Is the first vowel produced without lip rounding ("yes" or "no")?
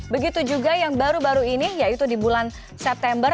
yes